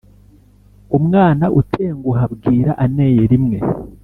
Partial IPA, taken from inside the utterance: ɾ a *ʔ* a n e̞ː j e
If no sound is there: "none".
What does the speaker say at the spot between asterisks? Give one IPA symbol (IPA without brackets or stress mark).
ʔ